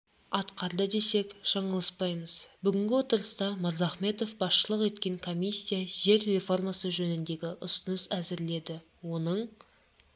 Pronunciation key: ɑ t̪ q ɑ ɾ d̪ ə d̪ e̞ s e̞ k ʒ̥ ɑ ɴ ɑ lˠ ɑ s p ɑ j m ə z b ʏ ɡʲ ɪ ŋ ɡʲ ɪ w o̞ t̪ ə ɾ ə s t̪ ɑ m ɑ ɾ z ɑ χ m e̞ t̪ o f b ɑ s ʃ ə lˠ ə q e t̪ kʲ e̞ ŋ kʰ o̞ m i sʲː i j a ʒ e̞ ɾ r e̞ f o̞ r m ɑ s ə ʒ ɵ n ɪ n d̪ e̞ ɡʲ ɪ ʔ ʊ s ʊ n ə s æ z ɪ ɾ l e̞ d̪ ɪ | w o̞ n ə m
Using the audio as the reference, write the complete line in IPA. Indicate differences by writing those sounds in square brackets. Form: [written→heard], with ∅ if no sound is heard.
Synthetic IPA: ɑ t̪ q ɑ ɾ d̪ ə d̪ e̞ s e̞ k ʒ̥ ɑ ɴ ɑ lˠ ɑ s p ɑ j m ə z b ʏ ɡʲ ɪ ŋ ɡʲ ɪ w o̞ t̪ ə ɾ ə s t̪ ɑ m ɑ ɾ z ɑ χ m e̞ t̪ o f b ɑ s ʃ ə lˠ ə q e t̪ kʲ e̞ ŋ kʰ o̞ m i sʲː i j a ʒ e̞ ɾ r e̞ f o̞ r m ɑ s ə ʒ ɵ n ɪ n d̪ e̞ ɡʲ ɪ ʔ ʊ s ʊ n ə s æ z ɪ ɾ l e̞ d̪ ɪ | w o̞ n ə [m→ɴ]